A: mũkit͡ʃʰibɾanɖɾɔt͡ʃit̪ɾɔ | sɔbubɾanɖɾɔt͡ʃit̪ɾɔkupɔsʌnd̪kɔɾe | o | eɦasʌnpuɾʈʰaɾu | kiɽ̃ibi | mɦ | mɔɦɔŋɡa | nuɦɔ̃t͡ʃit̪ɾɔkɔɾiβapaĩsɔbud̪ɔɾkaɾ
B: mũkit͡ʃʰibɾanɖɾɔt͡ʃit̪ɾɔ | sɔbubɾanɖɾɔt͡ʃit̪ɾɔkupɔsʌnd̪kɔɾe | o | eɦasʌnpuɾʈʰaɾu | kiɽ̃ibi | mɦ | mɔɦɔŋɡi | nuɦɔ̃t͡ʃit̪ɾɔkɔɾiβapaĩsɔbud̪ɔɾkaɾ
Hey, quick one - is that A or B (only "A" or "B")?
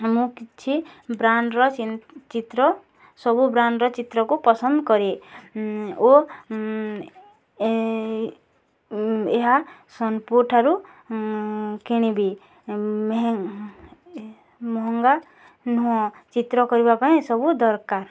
A